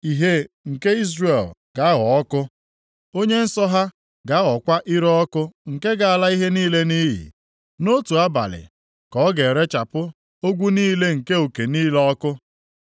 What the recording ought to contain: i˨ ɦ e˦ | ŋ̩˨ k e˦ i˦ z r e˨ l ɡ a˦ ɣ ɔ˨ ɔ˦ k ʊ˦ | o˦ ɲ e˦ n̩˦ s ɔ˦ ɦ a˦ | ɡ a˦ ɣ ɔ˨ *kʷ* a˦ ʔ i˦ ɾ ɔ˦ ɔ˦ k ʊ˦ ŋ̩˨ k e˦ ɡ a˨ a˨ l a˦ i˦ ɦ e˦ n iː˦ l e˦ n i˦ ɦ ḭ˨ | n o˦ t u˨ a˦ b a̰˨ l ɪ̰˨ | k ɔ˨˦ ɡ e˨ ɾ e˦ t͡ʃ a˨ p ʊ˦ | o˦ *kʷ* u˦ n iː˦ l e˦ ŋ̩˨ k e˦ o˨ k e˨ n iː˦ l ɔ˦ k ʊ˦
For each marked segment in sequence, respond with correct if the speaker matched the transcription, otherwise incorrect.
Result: correct, incorrect

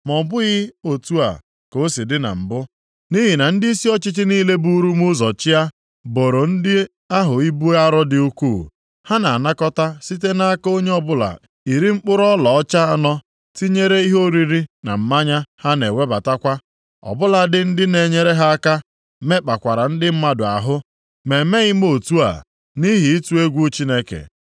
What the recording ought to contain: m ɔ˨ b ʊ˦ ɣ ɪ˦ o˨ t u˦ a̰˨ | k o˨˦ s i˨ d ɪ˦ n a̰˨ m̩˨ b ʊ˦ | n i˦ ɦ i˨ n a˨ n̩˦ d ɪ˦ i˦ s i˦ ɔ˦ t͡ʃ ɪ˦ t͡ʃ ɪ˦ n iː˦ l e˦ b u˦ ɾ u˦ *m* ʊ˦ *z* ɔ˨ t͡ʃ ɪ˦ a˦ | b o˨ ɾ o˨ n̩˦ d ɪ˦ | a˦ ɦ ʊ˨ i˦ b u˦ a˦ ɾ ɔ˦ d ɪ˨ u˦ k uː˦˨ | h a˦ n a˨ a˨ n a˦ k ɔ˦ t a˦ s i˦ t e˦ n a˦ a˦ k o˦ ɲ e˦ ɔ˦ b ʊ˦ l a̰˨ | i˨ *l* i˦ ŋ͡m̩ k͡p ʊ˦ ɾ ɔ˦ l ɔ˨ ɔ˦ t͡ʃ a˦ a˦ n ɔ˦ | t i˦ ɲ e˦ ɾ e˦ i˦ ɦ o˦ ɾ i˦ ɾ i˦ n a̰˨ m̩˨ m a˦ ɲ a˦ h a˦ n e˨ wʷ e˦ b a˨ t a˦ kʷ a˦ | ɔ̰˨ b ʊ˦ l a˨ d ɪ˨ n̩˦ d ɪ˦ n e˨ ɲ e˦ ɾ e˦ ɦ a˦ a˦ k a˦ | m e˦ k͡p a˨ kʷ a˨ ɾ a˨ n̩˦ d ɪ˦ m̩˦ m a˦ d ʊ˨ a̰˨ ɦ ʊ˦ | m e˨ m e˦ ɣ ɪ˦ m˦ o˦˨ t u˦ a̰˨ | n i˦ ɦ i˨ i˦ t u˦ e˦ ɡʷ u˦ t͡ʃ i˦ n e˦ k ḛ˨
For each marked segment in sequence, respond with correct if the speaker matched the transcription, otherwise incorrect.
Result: correct, correct, incorrect

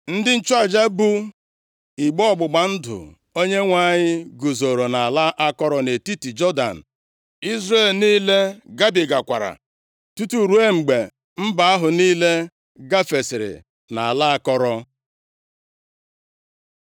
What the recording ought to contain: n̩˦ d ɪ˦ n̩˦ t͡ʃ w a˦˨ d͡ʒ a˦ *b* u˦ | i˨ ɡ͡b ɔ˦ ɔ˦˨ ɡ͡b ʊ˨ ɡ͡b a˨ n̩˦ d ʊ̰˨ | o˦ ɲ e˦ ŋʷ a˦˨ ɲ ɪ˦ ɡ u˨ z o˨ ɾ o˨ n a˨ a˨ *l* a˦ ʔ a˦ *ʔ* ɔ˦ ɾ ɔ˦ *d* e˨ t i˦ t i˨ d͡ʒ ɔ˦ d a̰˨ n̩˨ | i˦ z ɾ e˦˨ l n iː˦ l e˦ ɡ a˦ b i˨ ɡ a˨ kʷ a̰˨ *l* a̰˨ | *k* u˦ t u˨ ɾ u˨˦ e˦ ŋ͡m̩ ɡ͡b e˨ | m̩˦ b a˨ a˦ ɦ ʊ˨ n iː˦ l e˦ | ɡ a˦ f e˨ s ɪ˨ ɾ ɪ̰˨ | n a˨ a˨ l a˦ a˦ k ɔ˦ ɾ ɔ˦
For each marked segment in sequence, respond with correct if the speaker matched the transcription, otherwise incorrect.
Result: correct, correct, incorrect, incorrect, incorrect, incorrect

